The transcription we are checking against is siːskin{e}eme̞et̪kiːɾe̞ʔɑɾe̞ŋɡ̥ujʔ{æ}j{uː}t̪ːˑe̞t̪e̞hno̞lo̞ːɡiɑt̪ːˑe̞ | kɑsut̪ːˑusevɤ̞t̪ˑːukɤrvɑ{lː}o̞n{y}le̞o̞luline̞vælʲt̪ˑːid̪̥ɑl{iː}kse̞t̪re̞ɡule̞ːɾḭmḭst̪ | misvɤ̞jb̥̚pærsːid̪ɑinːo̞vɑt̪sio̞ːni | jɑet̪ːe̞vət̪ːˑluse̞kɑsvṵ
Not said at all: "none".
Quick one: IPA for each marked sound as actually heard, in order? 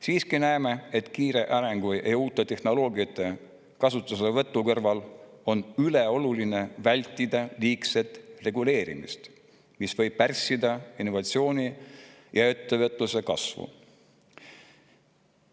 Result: æ, e, uː, l, y, iː

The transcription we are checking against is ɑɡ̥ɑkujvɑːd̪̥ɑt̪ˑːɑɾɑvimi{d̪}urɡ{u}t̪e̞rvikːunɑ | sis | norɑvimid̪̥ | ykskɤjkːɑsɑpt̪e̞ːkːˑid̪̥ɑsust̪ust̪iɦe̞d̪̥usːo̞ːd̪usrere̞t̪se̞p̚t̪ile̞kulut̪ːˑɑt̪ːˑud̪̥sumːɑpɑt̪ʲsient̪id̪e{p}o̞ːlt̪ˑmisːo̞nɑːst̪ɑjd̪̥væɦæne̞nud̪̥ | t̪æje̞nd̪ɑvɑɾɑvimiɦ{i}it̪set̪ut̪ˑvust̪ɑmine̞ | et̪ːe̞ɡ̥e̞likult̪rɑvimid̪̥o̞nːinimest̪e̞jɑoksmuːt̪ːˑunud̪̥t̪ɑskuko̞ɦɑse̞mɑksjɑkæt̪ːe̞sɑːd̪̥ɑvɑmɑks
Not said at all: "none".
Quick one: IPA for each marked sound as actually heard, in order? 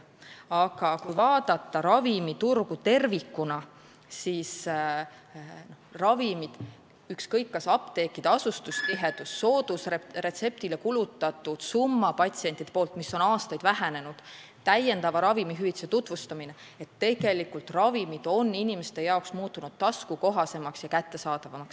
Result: t̪, u, p, y

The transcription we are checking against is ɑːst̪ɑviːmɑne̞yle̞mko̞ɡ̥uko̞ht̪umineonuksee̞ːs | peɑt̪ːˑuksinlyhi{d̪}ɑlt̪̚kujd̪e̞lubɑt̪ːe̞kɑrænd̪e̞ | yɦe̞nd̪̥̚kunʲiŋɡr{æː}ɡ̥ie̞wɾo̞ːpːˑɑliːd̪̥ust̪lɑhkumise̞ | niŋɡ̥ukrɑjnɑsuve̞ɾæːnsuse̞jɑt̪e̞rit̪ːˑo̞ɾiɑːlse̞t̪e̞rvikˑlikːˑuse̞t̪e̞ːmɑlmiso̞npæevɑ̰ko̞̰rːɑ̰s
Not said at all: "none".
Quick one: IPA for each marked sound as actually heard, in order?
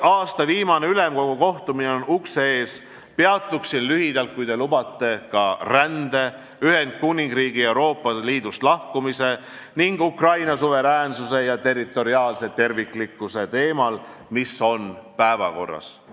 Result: d̪, iː

